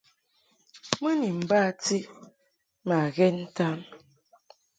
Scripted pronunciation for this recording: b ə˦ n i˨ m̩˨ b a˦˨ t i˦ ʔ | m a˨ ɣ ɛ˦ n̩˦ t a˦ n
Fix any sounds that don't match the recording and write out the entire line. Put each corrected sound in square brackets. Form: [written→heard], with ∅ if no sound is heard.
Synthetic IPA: [b→m] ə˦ n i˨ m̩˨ b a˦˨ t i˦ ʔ | m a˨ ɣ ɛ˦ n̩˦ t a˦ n